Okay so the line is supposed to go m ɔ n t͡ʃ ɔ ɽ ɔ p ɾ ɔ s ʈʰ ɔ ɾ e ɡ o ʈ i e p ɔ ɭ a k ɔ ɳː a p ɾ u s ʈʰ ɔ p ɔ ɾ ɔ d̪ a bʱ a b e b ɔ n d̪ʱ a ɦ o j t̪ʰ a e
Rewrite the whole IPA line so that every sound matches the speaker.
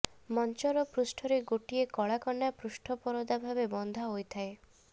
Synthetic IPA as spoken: m ɔ n t͡ʃ ɔ ɾ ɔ p ɾ u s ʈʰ ɔ ɾ e ɡ o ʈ i e k ɔ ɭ a k ɔ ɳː a p ɾ u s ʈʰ ɔ p ɔ ɾ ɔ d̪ a bʱ a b e b ɔ n d̪ʱ a ɦ o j t̪ʰ a e